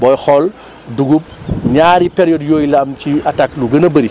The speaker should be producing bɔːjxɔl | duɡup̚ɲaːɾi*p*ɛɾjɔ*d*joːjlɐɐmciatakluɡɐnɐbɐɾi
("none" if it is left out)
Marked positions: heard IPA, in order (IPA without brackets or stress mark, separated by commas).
p, d